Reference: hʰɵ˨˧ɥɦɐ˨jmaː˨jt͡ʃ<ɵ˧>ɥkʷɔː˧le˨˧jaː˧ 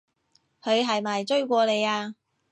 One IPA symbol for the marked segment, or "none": ɵ˥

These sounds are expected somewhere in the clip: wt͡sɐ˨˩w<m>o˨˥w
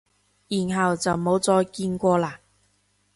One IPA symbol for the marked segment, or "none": m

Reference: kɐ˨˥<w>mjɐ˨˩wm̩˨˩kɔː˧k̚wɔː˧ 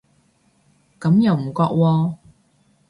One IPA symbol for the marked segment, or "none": none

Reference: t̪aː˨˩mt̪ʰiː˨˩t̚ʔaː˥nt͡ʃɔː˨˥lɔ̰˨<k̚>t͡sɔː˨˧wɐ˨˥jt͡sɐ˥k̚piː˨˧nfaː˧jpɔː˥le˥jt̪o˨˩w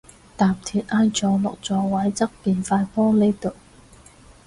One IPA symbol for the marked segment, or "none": k̚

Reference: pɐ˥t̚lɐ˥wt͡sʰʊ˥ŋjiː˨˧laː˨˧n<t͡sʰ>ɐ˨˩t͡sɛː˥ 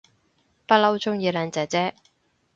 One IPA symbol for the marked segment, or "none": t͡s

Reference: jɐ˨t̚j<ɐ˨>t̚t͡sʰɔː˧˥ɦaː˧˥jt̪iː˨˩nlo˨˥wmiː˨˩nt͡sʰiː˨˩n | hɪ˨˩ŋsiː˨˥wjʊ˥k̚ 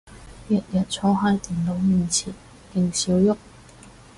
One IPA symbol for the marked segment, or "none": ɐ˨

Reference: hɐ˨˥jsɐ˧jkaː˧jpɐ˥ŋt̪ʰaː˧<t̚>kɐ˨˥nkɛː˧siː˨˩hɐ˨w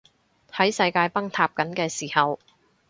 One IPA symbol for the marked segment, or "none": p̚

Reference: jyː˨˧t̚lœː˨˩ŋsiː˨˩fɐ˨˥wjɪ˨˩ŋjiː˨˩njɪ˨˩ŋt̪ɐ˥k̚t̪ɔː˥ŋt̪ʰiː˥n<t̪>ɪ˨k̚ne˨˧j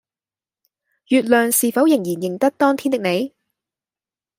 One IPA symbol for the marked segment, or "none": t̪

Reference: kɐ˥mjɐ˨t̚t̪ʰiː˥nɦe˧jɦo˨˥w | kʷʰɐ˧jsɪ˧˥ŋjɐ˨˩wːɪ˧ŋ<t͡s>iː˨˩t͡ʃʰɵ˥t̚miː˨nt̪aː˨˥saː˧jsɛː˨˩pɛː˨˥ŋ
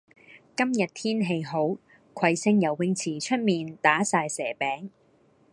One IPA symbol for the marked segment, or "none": t͡sʰ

